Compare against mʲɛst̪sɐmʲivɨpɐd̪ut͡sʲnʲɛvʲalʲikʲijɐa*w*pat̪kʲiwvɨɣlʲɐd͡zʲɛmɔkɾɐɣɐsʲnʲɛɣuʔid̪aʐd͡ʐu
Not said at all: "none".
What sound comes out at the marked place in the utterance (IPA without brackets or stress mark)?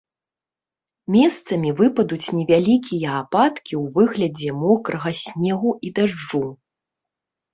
none